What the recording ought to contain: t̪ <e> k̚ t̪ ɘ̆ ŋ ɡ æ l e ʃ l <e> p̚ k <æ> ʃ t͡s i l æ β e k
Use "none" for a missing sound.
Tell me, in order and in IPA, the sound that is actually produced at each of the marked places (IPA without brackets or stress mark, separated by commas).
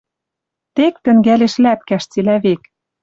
e, æ, æ